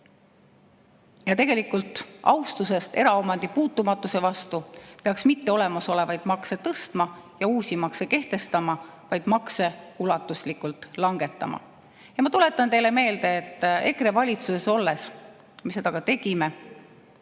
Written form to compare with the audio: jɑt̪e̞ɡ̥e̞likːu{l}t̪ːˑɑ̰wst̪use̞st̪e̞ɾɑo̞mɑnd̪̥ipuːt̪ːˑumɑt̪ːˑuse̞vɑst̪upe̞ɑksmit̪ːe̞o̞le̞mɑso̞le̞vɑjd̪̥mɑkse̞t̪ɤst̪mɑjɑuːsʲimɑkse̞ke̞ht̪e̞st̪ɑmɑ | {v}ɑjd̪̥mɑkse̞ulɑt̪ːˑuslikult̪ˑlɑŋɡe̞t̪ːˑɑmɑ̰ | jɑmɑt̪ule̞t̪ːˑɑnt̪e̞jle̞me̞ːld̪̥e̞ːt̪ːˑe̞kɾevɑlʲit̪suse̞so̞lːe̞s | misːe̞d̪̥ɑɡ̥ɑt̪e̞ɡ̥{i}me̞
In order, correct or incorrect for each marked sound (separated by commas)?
correct, correct, correct